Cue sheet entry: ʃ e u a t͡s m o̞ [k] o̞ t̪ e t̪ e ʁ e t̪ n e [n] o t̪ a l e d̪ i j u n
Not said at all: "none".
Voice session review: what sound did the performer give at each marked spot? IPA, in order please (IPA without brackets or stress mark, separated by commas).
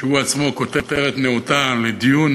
k, none